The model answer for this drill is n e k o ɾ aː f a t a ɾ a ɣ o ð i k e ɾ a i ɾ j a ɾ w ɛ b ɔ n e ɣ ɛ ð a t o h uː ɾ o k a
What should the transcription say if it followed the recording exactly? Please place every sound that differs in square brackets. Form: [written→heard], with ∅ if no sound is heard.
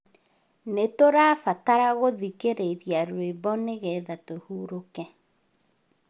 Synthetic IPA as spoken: n e [k→t] o ɾ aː f a t a ɾ a ɣ o ð i k e ɾ [a→e] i ɾ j a ɾ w [ɛ→e] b ɔ n e ɣ ɛ ð a t o h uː ɾ o k [a→ɛ]